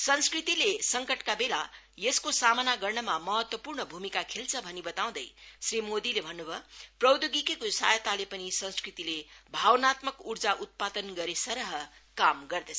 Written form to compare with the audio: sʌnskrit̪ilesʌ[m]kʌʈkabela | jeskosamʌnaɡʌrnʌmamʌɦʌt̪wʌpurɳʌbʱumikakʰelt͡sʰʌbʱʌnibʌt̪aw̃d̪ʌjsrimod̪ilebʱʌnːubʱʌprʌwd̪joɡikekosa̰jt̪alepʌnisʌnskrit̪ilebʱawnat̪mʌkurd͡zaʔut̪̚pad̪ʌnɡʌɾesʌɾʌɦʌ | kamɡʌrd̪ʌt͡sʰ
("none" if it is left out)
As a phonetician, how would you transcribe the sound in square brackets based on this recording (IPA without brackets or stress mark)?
ŋ